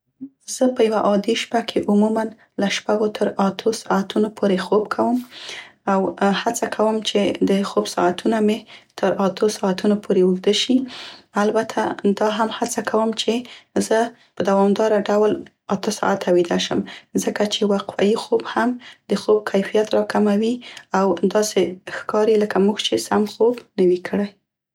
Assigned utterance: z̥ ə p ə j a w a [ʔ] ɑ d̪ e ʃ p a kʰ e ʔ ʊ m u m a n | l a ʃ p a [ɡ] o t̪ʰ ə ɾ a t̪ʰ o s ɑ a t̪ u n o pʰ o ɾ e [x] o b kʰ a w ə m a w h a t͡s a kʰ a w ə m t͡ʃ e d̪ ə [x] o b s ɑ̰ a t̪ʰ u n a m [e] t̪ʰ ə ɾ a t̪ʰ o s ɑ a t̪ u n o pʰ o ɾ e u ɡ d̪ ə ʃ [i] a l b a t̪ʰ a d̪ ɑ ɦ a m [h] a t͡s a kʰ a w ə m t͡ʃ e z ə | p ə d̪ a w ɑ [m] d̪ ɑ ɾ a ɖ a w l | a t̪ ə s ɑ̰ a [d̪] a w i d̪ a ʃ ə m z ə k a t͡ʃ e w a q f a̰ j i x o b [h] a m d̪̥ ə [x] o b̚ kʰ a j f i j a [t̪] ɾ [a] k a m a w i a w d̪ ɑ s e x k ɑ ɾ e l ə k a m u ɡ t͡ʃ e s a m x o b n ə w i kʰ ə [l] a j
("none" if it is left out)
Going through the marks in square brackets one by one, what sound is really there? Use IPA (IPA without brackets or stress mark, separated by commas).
ʔ, ɡ, x, x, e, i, h, m, t̪, h, x, t̪, ɑ, ɽ